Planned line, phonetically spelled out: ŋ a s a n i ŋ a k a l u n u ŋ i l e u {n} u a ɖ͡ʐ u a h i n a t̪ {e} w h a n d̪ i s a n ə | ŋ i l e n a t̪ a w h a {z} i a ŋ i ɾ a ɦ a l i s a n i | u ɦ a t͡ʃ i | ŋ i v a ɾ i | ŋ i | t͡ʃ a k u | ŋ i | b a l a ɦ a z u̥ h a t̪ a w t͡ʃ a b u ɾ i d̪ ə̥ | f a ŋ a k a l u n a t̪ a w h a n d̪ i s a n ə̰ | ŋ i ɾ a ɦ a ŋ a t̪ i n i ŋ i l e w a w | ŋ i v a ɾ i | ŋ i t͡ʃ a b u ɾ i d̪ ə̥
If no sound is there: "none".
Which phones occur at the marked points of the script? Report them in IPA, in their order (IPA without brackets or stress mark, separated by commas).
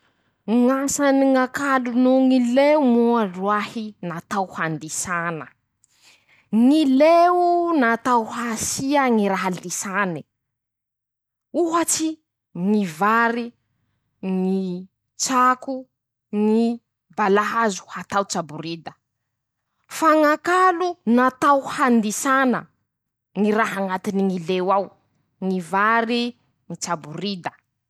m, a, s